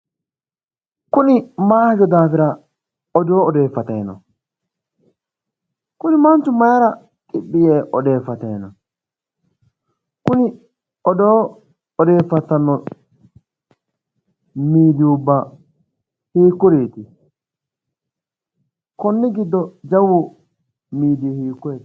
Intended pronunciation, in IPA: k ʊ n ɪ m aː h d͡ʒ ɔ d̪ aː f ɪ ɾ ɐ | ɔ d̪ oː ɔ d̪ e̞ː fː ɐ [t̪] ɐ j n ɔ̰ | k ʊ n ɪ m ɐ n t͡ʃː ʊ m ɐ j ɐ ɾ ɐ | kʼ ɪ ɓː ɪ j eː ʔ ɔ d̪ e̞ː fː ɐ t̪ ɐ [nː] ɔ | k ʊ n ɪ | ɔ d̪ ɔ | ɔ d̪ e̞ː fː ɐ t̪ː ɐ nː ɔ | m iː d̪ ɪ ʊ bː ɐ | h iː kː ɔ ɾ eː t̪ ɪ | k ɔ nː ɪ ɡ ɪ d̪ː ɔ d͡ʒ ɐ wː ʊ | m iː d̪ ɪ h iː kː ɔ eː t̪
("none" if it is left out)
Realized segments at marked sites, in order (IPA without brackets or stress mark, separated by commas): t̪, n